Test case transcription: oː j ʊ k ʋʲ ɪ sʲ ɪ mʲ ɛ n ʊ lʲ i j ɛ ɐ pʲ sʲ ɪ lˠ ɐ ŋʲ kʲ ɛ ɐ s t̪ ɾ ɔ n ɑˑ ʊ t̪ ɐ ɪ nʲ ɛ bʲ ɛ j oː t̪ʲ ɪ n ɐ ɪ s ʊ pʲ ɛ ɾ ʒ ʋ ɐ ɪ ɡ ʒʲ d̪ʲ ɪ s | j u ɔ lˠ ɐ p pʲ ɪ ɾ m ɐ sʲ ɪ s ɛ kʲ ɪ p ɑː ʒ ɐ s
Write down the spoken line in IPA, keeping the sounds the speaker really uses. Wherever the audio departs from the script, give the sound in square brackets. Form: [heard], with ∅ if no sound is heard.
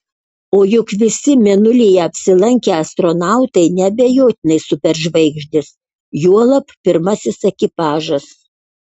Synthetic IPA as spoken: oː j ʊ k ʋʲ ɪ sʲ ɪ mʲ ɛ n ʊ lʲ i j ɛ ɐ pʲ sʲ ɪ lˠ ɐ ŋʲ kʲ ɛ ɐ s t̪ ɾ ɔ n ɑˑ ʊ t̪ ɐ ɪ nʲ ɛ bʲ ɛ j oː t̪ʲ ɪ n ɐ ɪ s ʊ pʲ ɛ ɾ ʒ ʋ ɐ ɪ ɡ ʒʲ d̪ʲ ɪ s | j u ɔ lˠ ɐ p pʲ ɪ ɾ m ɐ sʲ ɪ s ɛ kʲ ɪ p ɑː ʒ ɐ s